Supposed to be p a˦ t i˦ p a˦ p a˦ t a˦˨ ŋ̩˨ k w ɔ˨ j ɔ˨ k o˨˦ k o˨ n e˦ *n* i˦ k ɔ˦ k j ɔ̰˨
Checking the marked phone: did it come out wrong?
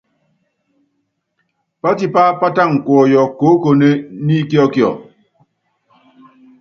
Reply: no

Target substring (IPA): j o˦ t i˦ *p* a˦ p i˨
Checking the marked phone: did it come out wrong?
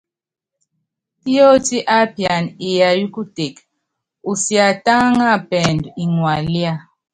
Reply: yes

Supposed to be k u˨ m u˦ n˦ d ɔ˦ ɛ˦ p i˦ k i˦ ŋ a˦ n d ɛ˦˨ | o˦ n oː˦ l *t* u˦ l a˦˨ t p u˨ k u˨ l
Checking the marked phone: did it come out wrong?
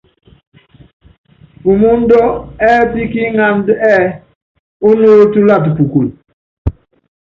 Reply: no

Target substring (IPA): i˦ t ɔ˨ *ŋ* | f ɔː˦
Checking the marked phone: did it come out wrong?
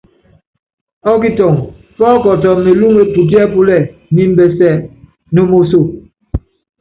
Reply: no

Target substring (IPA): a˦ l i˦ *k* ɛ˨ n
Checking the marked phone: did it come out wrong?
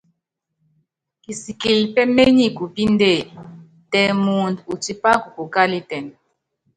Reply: yes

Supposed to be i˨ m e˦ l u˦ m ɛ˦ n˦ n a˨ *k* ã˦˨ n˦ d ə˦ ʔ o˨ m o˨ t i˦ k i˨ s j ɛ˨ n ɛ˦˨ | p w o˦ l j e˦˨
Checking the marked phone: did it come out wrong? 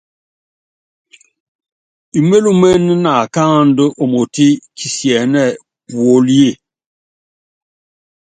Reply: no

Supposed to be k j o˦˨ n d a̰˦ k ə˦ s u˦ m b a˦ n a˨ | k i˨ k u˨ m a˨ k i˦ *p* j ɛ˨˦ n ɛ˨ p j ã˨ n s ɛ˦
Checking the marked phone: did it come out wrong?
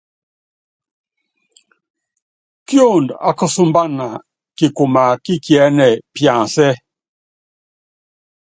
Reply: yes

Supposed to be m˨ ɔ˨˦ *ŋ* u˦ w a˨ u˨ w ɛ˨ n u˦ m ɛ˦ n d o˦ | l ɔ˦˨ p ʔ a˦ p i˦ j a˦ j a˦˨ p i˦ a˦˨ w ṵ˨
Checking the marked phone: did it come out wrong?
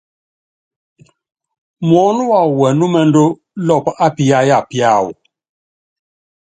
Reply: yes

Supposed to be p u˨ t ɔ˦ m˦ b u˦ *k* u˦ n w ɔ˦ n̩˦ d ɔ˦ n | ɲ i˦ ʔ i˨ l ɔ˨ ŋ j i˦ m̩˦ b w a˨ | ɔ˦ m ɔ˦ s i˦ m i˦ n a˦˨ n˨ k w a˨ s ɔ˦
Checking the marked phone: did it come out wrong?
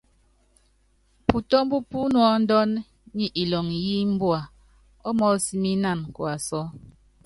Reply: yes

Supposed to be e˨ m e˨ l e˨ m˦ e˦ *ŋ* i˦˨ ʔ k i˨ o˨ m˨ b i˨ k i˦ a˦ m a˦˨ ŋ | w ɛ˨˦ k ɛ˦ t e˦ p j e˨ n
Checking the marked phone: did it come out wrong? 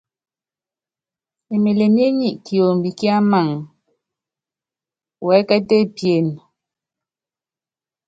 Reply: yes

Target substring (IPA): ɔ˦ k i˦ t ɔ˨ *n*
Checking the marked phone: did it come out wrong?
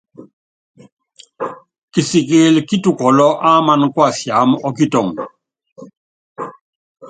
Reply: yes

